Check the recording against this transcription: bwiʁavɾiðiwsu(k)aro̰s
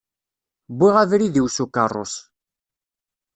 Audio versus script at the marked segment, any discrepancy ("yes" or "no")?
no